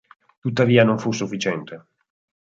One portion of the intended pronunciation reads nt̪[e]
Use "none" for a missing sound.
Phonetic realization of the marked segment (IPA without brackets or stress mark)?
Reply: e